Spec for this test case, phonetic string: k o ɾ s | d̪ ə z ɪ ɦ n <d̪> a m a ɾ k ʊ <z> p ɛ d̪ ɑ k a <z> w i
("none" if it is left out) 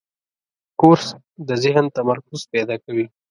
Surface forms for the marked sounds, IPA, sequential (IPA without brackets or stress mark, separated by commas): t̪, z, none